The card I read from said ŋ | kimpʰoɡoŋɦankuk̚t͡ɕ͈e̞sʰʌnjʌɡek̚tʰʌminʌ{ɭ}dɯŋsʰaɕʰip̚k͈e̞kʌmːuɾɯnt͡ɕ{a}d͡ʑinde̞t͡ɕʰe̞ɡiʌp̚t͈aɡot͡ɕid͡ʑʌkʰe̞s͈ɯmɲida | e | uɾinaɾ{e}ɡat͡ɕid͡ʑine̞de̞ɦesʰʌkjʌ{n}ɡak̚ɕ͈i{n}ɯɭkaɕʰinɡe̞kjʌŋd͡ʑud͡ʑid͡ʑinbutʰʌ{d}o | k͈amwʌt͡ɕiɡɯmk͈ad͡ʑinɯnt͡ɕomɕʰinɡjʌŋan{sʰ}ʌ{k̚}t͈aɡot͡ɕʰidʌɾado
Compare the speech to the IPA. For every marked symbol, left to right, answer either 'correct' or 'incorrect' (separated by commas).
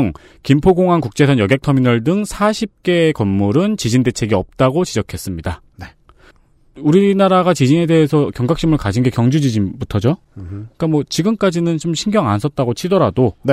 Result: correct, incorrect, incorrect, incorrect, incorrect, incorrect, correct, incorrect